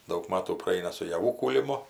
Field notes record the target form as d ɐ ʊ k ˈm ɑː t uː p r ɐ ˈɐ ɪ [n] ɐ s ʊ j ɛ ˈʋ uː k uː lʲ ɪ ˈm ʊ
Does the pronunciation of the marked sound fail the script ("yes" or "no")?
no